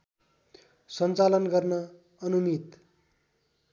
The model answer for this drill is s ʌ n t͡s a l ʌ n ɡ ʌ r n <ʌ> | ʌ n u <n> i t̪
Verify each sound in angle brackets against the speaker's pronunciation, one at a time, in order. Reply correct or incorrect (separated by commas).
correct, incorrect